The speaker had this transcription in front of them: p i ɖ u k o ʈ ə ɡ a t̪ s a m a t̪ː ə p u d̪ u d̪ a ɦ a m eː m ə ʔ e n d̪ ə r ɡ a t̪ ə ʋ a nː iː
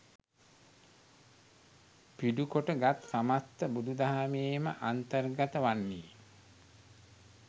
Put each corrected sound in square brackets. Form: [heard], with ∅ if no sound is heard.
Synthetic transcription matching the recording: p i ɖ u k o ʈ ə ɡ a t̪ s a m a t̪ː ə [b] u d̪ u d̪ a ɦ a m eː m ə ʔ [a] n [t̪] ə r ɡ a t̪ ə ʋ a nː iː